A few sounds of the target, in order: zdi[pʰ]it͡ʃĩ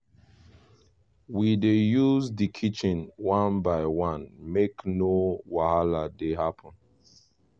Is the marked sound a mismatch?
yes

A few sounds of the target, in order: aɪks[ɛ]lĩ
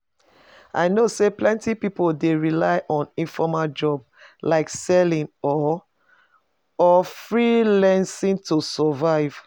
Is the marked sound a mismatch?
no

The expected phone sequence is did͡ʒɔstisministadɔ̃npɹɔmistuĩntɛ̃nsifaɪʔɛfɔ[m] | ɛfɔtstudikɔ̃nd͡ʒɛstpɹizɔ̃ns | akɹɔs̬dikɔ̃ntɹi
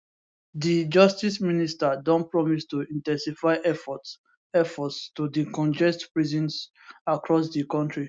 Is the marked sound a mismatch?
yes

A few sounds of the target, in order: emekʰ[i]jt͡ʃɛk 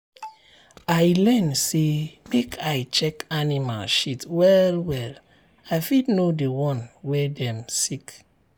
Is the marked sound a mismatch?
yes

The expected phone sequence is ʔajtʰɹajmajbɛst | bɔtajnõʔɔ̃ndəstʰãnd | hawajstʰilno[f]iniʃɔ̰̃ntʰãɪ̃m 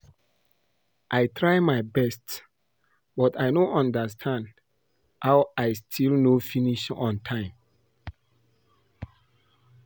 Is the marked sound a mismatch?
no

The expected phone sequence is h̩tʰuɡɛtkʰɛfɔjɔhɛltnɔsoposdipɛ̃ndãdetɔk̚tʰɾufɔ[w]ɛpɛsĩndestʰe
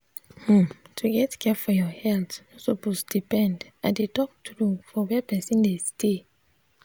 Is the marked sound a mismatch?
no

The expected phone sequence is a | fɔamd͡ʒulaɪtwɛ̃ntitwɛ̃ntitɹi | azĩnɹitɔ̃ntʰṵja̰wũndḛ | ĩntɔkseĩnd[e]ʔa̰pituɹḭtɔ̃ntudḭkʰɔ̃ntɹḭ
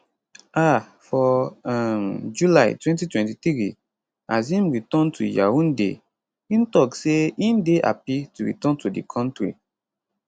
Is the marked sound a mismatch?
no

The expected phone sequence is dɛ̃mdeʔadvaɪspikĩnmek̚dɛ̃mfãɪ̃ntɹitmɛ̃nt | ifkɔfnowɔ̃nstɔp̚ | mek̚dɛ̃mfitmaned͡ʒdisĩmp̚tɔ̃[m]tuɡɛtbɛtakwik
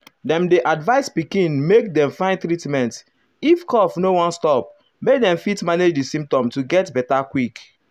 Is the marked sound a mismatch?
no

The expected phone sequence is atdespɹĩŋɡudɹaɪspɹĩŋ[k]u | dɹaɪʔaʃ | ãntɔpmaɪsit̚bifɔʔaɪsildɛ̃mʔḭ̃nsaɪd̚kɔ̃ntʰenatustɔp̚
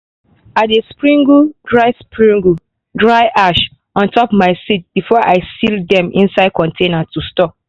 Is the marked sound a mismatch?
yes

